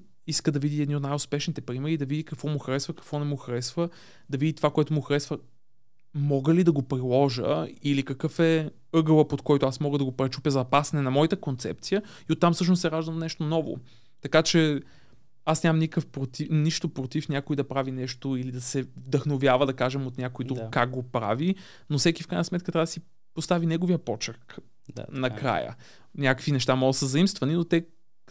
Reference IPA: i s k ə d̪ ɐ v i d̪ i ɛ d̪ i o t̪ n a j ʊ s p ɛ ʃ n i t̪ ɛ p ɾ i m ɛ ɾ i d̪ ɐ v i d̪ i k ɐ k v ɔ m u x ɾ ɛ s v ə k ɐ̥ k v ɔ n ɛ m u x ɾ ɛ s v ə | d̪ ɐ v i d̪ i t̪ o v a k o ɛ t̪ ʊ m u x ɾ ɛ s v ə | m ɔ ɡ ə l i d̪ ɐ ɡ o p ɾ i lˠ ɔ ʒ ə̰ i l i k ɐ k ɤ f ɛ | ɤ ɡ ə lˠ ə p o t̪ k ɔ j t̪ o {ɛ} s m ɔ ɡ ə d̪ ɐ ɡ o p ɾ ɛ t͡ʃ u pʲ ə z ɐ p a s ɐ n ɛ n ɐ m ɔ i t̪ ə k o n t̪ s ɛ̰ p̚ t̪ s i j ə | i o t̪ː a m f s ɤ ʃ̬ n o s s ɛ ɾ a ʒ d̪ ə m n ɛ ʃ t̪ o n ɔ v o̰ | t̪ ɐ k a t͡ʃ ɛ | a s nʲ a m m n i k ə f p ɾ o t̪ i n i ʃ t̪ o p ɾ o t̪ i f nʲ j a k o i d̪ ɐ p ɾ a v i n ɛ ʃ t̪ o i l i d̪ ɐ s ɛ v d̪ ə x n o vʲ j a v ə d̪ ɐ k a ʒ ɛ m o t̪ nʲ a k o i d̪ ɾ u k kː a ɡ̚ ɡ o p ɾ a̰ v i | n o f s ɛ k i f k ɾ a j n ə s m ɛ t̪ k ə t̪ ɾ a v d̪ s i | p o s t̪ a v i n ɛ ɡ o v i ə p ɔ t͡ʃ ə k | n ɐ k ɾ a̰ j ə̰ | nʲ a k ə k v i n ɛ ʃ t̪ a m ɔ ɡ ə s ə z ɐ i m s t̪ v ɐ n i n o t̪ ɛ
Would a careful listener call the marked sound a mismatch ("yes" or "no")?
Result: yes